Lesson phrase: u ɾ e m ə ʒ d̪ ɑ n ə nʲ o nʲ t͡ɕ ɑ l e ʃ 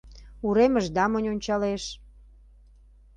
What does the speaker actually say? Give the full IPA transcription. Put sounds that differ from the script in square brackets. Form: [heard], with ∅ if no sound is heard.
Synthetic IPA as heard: u ɾ e m ə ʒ d̪ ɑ [m] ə nʲ o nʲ t͡ɕ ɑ l e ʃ

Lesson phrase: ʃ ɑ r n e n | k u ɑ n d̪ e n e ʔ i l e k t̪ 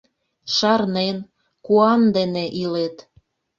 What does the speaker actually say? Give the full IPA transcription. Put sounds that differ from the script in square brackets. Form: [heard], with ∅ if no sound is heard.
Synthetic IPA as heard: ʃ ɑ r n e n | k u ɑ n d̪ e n e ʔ i l e [∅] t̪

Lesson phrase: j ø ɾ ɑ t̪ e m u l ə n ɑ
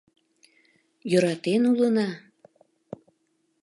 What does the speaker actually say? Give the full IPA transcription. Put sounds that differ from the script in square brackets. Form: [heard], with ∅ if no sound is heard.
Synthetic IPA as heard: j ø ɾ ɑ t̪ e [n] u l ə n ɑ

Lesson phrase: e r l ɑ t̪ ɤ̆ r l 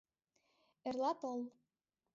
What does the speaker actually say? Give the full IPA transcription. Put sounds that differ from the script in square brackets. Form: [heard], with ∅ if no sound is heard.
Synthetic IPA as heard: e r l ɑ t̪ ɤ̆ [∅] l

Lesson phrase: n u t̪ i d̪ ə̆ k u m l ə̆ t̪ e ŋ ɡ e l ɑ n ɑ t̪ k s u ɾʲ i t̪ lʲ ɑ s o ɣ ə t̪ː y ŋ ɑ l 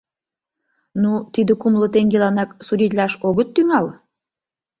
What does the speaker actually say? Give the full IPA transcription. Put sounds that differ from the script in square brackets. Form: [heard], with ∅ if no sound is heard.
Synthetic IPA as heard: n u t̪ i d̪ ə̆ k u m l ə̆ t̪ e ŋ ɡ e l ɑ n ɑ [∅] k s u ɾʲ i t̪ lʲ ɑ [ʃ] o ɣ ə t̪ː y ŋ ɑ l

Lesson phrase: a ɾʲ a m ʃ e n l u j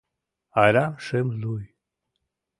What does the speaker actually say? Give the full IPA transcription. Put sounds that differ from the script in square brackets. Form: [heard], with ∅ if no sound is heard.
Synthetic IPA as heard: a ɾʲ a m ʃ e [m] l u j

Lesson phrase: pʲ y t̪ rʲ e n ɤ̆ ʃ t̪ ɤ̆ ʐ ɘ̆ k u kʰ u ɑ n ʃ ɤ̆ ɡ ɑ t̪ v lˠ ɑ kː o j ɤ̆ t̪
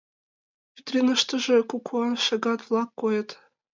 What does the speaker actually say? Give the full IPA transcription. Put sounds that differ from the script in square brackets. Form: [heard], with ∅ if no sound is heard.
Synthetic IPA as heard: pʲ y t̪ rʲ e n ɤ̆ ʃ t̪ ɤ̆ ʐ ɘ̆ k u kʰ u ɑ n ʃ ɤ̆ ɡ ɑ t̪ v lˠ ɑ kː o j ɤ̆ t̪

